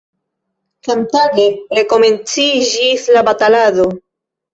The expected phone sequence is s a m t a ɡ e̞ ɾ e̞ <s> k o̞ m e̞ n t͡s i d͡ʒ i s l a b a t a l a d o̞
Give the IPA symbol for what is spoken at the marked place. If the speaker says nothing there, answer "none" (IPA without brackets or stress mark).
none